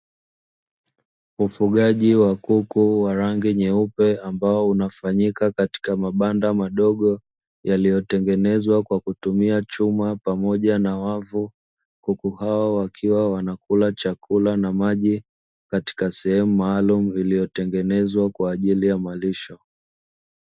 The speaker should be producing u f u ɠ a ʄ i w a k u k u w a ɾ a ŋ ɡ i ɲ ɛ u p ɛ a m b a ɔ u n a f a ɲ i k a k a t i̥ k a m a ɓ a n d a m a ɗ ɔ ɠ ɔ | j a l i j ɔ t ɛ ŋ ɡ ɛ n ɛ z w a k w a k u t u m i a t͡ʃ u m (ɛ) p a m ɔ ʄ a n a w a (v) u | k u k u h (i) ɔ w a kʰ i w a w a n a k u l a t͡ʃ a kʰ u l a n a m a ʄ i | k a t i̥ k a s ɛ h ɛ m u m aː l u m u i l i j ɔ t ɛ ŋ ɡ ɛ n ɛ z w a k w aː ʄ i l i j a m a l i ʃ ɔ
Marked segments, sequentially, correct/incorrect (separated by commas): incorrect, correct, incorrect